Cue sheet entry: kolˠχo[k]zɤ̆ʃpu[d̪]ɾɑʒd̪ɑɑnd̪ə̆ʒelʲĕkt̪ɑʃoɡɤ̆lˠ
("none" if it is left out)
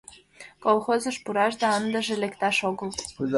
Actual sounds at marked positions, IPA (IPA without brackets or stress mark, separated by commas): none, none